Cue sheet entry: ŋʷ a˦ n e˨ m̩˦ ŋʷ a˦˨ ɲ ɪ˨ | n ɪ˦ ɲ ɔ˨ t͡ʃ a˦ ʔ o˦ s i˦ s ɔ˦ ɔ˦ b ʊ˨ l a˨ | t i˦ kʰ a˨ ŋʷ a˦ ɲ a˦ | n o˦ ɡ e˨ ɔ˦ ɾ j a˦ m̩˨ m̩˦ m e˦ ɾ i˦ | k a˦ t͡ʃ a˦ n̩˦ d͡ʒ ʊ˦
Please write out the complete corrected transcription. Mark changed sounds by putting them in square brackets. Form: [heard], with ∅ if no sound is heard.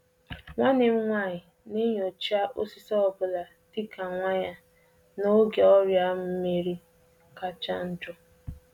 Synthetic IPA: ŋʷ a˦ n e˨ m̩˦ ŋʷ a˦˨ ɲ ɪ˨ | n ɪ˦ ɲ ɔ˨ t͡ʃ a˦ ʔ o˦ s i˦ s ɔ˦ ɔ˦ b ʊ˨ l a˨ | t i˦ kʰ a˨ ŋʷ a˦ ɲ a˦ | n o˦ ɡ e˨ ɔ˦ ɾ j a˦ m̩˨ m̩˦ m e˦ ɾ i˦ | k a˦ t͡ʃ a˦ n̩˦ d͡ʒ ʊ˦